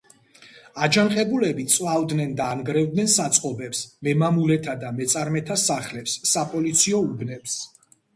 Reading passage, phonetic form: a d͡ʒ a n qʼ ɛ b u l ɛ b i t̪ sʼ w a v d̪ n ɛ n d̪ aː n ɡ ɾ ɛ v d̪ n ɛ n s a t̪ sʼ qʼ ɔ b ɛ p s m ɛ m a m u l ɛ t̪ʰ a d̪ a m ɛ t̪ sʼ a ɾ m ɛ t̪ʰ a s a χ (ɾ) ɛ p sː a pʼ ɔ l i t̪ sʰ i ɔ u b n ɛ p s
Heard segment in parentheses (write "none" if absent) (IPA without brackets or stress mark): l